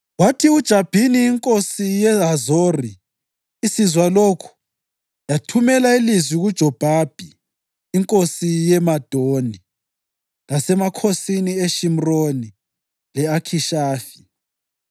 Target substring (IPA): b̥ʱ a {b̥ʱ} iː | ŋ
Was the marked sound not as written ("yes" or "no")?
no